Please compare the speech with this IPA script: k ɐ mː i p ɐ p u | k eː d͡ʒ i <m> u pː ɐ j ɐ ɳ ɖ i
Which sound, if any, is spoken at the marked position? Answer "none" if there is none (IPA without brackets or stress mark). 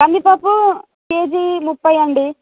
m